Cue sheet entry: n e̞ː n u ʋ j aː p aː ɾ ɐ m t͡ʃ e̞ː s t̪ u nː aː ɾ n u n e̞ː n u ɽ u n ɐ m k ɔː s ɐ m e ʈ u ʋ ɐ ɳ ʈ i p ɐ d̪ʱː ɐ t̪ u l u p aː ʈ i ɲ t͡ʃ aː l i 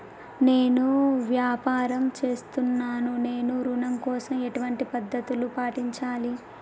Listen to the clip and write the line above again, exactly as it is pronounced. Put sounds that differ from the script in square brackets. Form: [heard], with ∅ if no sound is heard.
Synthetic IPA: n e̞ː n u ʋ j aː p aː ɾ ɐ m t͡ʃ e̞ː s t̪ u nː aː [∅] n u n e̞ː n u [ɾ] u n ɐ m k ɔː s ɐ m e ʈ u ʋ ɐ ɳ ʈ i p ɐ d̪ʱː ɐ t̪ u l u p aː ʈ i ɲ t͡ʃ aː l i

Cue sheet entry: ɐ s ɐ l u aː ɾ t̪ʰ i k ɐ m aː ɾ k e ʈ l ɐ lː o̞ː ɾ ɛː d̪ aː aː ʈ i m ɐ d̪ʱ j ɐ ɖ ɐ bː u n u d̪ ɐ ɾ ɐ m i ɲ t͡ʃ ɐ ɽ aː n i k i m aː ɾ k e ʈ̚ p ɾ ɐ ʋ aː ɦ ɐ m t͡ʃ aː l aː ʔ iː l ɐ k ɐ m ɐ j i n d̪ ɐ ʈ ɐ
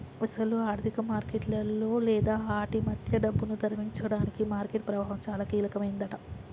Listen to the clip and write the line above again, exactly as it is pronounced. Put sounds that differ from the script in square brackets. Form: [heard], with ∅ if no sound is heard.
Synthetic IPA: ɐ s ɐ l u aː ɾ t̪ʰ i k ɐ m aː ɾ k e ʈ l ɐ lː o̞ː [l] ɛː d̪ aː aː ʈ i m ɐ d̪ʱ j ɐ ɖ ɐ bː u n u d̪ ɐ ɾ ɐ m i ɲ t͡ʃ ɐ ɽ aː n i k i m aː ɾ k e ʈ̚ p ɾ ɐ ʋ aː ɦ ɐ m t͡ʃ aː l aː [k] iː l ɐ k ɐ m ɐ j i n d̪ ɐ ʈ ɐ

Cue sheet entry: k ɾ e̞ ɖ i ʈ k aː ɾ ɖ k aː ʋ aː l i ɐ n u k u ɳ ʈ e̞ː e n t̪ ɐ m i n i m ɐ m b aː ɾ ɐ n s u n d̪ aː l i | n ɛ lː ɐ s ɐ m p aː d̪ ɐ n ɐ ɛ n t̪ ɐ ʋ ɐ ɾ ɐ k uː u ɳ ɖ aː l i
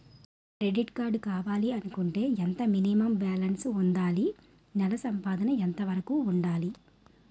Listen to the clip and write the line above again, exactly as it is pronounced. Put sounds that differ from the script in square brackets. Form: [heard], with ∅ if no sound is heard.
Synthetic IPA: k ɾ e̞ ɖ i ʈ k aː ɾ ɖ k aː ʋ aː l i ɐ n u k u ɳ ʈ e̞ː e n t̪ ɐ m i n i m ɐ m b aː [l] ɐ n s u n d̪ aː l i | n ɛ [l] ɐ s ɐ m p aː d̪ ɐ n ɐ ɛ n t̪ ɐ ʋ ɐ ɾ ɐ k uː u ɳ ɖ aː l i

